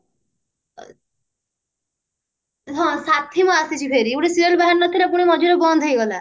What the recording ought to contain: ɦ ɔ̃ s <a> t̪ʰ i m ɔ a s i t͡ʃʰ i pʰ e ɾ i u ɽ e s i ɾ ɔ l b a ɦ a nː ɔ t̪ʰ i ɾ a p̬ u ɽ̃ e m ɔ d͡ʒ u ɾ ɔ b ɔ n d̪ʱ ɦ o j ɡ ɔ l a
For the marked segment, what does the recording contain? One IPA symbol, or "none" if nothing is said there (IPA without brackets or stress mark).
a